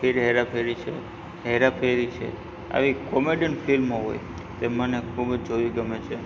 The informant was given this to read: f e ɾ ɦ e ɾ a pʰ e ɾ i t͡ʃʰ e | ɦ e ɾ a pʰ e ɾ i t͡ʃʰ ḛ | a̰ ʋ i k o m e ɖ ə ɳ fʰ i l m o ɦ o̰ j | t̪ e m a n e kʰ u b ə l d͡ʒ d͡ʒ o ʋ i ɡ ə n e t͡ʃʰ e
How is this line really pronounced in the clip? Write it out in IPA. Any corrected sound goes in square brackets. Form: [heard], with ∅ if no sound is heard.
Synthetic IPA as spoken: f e ɾ ɦ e ɾ a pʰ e ɾ i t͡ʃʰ e | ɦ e ɾ a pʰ e ɾ i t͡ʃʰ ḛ | a̰ ʋ i k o m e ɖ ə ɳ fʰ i l m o ɦ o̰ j | t̪ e m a n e kʰ u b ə [∅] d͡ʒ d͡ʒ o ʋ i ɡ ə [m] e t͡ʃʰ e